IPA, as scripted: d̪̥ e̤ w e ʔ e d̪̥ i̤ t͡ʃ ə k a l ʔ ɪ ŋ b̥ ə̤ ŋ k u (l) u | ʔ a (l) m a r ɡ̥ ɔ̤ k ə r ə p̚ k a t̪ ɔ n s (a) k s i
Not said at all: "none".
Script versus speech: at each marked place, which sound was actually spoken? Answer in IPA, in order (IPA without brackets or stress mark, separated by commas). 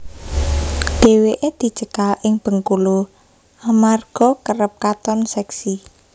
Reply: l, none, ɛ